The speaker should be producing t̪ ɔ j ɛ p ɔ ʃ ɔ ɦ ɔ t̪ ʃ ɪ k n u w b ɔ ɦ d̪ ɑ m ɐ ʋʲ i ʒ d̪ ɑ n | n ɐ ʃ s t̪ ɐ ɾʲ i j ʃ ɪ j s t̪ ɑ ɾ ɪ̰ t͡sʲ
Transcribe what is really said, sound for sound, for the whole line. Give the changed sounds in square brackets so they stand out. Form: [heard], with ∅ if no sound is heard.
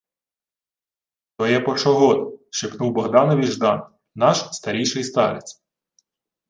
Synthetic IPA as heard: t̪ ɔ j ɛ p ɔ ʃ ɔ ɦ ɔ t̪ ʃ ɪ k n u w b ɔ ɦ d̪ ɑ [n] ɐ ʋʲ i ʒ d̪ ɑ n | n [ɑ] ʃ s t̪ ɐ ɾʲ i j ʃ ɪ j s t̪ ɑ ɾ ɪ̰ t͡sʲ